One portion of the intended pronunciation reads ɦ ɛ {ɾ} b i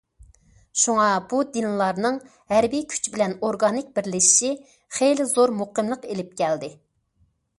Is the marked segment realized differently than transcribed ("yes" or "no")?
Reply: no